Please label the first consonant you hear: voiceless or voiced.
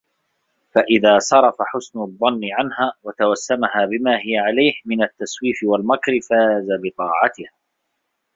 voiceless